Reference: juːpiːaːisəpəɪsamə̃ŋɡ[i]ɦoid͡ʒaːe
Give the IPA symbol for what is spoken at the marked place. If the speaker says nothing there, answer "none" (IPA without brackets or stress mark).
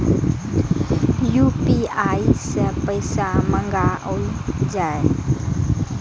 a